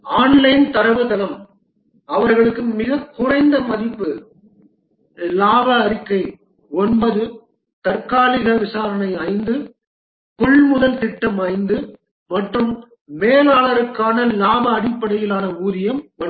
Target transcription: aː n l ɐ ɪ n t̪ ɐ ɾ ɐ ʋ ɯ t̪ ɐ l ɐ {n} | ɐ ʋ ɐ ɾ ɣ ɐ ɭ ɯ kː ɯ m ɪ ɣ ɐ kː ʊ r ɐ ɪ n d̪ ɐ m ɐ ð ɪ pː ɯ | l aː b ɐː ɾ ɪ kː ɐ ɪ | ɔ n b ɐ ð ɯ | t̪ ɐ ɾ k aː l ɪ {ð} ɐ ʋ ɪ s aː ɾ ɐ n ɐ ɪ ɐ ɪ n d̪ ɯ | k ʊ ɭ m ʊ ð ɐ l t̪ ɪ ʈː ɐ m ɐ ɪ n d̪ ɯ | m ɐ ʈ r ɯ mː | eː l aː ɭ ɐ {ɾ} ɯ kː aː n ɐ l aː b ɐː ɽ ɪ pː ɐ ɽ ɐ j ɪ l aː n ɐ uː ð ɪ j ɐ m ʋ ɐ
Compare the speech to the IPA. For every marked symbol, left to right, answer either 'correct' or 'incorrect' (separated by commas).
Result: incorrect, incorrect, correct